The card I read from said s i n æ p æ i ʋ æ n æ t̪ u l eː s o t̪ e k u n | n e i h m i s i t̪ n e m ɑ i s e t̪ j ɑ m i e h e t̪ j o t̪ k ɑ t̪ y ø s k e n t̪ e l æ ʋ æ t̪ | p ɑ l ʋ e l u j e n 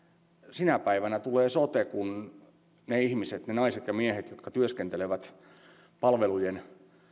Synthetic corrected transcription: s i n æ p æ i ʋ æ n æ t̪ u l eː s o t̪ e k u n | n e i h m i s e t̪ n e n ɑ i s e t̪ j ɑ m i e h e t̪ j o t̪ k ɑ t̪ y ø s k e n t̪ e l e ʋ æ t̪ | p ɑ l ʋ e l u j e n